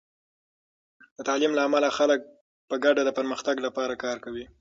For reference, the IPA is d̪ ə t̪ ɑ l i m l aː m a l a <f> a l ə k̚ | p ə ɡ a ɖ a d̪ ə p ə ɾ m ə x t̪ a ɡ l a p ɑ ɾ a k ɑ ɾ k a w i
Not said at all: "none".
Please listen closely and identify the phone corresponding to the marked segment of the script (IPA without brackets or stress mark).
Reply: x